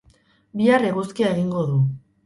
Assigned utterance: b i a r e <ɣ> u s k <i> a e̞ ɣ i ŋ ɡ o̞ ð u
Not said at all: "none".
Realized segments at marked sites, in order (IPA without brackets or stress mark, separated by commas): ɣ, i